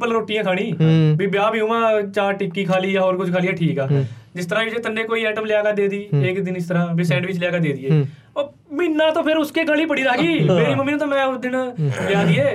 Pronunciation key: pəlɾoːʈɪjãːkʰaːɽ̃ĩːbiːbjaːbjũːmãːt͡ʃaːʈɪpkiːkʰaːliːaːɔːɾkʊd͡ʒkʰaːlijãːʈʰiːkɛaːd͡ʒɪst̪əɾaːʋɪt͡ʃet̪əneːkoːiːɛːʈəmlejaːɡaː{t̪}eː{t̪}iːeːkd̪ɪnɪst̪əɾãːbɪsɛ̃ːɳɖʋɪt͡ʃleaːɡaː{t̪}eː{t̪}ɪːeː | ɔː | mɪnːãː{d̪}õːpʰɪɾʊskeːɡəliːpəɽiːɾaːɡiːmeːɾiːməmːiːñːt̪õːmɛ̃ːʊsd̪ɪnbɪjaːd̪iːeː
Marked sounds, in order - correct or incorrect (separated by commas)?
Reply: incorrect, incorrect, incorrect, incorrect, incorrect